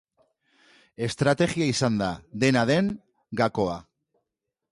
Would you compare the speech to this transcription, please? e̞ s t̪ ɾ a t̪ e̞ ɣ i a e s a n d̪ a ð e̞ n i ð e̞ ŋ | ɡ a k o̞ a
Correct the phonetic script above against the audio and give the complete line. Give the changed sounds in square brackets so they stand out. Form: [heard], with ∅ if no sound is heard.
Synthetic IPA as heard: e̞ s t̪ ɾ a t̪ e̞ ɣ i a [i] s a n d̪ a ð e̞ n [a] ð e̞ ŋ | ɡ a k o̞ a